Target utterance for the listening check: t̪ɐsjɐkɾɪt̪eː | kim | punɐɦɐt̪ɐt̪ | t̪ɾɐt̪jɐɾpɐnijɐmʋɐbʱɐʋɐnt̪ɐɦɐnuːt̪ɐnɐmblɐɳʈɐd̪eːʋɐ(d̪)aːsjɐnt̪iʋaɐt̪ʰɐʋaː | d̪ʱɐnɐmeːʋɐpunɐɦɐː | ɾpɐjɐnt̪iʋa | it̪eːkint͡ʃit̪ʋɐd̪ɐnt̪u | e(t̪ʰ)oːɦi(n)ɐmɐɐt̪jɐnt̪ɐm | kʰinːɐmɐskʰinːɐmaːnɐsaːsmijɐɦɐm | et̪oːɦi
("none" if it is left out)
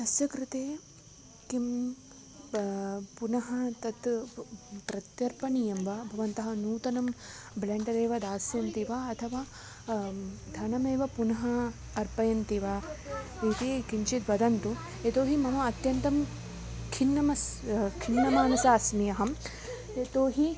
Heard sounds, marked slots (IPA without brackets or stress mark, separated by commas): d̪, t̪, m